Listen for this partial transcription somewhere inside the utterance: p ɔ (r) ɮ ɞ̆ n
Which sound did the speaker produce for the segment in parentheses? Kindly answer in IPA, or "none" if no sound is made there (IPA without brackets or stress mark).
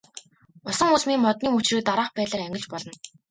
none